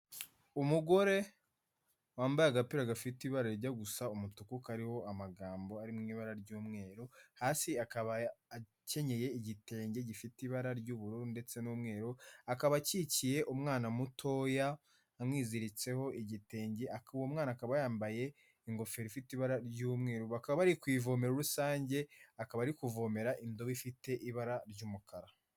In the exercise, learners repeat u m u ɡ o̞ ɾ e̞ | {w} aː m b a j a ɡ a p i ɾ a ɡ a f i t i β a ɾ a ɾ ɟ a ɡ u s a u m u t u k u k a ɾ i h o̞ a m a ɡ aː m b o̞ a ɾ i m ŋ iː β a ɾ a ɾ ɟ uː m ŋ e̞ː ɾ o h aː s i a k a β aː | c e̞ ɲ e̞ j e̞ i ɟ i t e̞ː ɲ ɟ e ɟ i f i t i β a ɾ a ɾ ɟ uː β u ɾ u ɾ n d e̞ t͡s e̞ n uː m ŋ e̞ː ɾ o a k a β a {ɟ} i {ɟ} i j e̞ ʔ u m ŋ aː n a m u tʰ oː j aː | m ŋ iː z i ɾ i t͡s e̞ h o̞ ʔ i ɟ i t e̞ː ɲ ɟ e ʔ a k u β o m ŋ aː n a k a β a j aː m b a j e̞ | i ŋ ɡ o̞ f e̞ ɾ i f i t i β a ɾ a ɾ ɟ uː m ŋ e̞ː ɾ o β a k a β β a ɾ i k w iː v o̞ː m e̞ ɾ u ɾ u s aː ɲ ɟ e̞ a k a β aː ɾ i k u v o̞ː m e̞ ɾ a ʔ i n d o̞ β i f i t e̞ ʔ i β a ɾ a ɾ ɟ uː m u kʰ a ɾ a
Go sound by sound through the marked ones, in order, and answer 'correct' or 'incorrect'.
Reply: correct, incorrect: c, incorrect: c

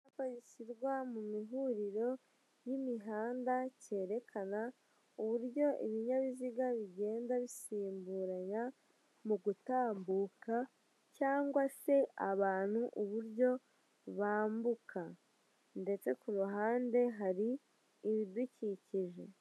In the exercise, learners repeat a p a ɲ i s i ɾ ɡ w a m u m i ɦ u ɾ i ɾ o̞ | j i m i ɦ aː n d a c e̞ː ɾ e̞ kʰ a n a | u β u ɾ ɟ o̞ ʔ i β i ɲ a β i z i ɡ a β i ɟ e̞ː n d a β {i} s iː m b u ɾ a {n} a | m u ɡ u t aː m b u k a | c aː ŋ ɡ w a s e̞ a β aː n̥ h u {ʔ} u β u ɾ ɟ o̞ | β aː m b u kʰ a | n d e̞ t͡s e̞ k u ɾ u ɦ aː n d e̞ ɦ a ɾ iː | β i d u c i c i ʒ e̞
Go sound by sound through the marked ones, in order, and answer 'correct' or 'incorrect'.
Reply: correct, incorrect: ɲ, correct

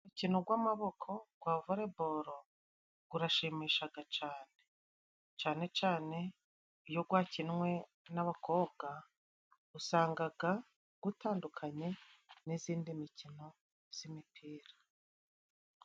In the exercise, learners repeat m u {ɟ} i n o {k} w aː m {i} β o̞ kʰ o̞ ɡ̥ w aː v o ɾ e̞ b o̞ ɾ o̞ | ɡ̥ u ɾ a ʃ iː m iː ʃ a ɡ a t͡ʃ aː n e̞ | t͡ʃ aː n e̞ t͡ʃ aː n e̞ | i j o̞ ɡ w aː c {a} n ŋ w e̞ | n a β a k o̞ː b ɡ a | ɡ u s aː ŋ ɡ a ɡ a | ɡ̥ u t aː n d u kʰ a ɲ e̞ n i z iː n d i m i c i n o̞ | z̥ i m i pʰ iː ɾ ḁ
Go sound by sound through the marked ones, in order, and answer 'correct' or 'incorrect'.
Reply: incorrect: c, incorrect: ɡ, incorrect: a, incorrect: i

